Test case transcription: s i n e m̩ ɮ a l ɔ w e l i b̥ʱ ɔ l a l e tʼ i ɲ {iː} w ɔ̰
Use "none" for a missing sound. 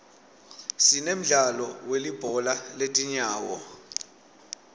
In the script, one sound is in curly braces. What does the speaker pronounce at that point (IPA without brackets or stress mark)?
aː